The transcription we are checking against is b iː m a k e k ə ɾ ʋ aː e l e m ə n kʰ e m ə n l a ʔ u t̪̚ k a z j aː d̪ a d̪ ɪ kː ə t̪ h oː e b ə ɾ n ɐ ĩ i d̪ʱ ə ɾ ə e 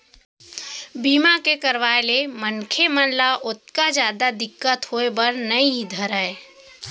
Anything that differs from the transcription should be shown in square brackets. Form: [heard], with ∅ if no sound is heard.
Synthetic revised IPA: b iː m a k e k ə ɾ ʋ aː e l e m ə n kʰ e m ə n l a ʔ [ʊ] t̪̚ k a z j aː d̪ a d̪ ɪ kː ə t̪ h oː e b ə ɾ n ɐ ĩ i d̪ʱ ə ɾ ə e